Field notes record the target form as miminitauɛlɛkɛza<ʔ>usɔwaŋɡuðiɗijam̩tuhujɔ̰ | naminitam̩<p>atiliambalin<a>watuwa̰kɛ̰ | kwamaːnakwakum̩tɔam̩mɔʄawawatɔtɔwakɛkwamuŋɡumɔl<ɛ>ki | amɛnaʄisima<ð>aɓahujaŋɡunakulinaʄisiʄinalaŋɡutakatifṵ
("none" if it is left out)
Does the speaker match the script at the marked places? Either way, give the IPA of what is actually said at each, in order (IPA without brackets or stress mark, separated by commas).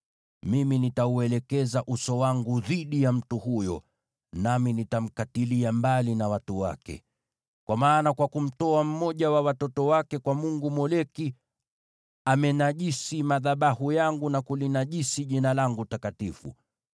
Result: ʔ, k, a, ɛ, ð